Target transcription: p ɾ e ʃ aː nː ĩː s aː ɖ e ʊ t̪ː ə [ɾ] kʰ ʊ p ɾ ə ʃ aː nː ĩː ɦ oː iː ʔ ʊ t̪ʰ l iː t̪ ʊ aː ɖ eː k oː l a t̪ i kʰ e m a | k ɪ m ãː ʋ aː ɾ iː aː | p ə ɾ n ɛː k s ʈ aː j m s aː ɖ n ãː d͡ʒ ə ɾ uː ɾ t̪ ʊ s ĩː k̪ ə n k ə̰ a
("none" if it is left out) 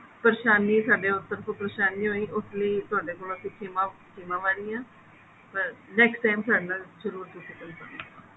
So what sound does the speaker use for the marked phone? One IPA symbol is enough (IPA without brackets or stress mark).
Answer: ɾ